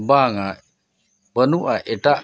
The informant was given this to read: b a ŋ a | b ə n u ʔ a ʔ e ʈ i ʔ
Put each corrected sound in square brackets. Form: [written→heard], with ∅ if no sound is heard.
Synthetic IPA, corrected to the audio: b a ŋ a | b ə n u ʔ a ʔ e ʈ [i→a] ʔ